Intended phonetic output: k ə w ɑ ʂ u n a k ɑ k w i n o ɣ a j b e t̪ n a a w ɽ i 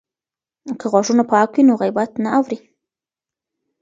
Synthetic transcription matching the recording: k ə ɣ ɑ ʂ u n a p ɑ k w i n o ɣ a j b a t̪ n a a w ɾ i